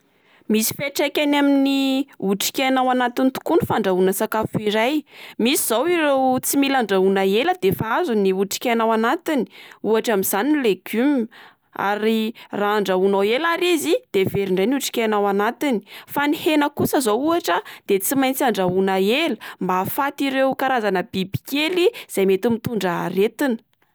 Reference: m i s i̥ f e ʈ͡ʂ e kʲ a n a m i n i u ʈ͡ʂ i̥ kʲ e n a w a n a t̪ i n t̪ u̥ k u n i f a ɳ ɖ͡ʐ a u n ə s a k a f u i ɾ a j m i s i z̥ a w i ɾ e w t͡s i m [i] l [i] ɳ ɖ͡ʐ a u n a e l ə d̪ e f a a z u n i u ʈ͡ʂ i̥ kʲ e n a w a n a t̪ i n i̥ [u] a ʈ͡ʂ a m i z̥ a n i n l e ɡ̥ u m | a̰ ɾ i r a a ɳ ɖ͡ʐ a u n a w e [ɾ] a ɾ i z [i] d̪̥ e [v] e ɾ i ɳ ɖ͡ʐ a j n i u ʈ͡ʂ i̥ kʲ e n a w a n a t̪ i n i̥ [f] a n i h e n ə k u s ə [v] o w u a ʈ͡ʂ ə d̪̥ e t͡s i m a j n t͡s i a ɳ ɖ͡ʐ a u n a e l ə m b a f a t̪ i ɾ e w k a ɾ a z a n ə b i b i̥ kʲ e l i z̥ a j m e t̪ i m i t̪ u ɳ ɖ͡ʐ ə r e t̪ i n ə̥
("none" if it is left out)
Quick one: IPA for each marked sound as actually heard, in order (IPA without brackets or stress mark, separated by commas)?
i, a, u, l, i, v, f, z